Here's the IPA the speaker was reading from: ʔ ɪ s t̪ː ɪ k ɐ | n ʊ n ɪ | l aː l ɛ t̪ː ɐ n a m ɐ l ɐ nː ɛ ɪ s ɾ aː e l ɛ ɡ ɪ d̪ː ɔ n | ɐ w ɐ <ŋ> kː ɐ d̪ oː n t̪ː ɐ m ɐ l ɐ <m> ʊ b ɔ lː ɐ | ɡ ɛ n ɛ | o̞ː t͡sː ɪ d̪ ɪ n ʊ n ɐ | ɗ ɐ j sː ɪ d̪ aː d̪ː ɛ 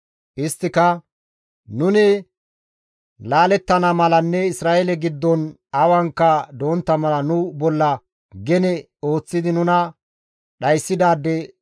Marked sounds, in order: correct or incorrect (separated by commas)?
correct, incorrect